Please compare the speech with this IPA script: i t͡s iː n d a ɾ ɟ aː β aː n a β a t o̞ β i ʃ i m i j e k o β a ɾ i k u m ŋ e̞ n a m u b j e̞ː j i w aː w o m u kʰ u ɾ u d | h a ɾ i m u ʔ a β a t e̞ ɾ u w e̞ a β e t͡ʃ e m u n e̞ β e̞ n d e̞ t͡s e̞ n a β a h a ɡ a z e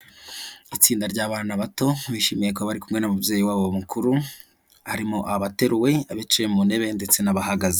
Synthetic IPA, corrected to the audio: i t͡s iː n d a ɾ ɟ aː β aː n a β a t o̞ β i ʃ i m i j e k o β a ɾ i k u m ŋ e̞ n a m u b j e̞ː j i w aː β o m u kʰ u ɾ u | h a ɾ i m o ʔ a β a t e̞ ɾ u w e̞ a β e t͡ʃ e m u n e̞ β e̞ n d e̞ t͡s e̞ n a β a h a ɡ a z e